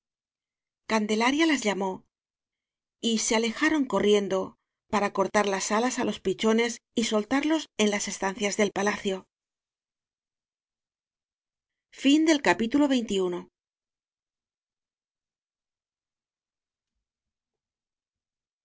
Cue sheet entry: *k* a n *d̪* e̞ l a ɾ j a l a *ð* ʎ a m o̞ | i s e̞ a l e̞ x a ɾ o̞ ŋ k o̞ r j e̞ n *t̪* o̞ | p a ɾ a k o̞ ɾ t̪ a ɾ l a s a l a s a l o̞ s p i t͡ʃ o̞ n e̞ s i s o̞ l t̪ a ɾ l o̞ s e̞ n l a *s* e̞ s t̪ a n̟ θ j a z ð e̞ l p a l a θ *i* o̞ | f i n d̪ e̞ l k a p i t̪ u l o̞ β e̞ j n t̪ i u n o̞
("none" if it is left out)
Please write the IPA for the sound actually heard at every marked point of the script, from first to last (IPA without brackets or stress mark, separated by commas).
k, d̪, z, d̪, s, j